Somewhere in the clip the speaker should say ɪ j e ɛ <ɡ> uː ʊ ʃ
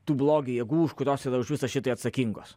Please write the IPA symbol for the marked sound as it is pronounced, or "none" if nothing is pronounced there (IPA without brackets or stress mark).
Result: ɡ